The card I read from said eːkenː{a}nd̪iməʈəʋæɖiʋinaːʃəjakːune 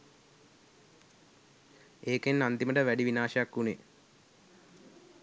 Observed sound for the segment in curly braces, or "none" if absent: a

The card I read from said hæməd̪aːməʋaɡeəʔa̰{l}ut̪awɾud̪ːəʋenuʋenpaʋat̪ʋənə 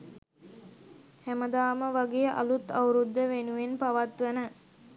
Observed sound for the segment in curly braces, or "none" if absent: l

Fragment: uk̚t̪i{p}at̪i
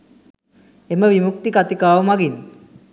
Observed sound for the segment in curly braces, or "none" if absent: k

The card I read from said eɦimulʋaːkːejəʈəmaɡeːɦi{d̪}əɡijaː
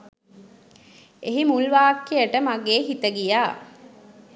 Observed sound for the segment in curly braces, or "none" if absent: t̪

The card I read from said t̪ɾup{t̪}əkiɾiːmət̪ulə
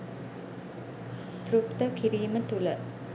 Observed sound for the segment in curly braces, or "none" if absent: t̪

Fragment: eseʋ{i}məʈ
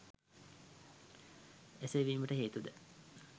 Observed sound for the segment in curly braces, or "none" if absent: iː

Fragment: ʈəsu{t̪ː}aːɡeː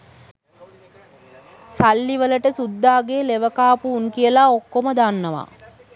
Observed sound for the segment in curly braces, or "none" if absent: d̪ː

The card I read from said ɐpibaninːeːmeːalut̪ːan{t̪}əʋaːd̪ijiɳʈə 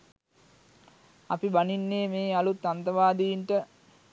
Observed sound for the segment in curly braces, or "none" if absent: t̪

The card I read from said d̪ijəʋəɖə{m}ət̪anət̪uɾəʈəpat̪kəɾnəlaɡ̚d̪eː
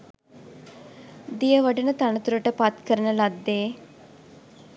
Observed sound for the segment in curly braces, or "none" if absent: n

